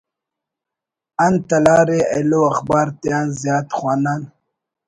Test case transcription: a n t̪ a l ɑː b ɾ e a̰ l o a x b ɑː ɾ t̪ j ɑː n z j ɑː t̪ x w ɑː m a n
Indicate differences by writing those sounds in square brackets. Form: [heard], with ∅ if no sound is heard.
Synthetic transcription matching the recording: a n t̪ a l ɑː [∅] ɾ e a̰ l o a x b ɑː ɾ t̪ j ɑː n z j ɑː t̪ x w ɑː [n] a n